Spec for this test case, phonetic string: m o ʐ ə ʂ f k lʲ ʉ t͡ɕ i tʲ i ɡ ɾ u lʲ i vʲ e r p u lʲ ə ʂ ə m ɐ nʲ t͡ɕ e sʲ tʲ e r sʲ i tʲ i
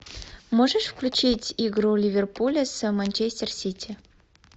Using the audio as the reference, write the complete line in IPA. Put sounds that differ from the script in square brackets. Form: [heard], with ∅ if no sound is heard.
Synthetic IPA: m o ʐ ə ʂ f k lʲ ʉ t͡ɕ i tʲ i ɡ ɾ u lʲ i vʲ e r p u lʲ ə [s] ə m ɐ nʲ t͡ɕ e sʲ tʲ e r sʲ i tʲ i